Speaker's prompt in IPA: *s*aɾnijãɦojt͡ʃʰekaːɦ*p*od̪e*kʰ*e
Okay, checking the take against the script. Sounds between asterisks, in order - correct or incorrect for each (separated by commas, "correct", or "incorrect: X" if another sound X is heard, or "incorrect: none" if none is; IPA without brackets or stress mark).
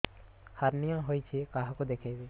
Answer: incorrect: h, incorrect: k, correct